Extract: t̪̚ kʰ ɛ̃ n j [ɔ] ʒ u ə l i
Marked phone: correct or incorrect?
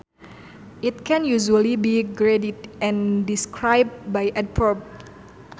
incorrect